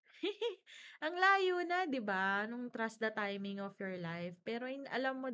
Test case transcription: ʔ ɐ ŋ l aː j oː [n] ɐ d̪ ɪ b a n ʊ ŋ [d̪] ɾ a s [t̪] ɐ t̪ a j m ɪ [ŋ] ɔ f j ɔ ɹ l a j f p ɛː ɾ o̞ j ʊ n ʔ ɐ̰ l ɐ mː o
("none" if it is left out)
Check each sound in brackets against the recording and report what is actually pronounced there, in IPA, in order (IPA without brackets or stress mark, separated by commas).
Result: n, t̪, d̪, ŋ